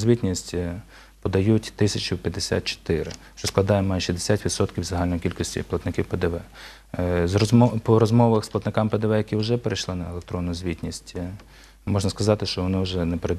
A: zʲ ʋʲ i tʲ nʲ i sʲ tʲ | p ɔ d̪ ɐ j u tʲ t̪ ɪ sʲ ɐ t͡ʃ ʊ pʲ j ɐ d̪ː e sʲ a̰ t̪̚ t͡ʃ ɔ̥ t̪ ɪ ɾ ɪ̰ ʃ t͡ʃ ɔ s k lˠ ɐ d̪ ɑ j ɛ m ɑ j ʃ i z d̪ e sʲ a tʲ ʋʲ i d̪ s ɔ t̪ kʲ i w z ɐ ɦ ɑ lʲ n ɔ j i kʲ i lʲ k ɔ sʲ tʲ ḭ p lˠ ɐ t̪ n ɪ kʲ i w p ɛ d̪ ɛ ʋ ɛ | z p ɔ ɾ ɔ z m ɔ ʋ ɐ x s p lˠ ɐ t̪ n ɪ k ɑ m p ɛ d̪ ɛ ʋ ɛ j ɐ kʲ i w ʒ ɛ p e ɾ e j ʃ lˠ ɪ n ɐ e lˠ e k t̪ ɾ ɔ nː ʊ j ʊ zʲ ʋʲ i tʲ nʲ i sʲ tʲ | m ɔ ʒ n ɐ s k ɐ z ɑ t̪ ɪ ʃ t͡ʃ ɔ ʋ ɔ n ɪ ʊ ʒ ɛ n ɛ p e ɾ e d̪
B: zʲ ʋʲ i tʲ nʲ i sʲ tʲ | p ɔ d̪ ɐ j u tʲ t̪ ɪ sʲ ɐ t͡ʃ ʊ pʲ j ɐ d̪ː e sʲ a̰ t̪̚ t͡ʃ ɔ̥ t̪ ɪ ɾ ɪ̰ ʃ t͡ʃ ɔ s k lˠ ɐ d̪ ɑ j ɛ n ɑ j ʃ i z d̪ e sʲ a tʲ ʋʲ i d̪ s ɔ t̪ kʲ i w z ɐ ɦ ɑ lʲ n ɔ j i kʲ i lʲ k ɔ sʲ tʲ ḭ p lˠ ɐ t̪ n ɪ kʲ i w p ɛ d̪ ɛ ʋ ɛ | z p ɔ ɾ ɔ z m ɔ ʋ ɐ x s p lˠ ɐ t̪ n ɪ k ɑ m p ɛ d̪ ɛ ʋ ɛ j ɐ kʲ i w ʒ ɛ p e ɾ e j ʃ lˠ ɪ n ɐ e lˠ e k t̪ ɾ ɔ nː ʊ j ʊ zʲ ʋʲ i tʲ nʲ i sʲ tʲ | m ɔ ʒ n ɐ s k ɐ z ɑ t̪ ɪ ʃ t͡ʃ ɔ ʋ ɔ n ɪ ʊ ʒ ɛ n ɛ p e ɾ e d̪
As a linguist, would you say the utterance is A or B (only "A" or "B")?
A